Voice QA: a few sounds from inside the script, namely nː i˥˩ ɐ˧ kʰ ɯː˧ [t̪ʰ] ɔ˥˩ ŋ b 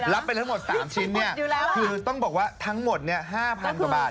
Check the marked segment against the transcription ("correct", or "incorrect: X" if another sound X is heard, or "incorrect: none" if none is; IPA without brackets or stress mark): incorrect: t̪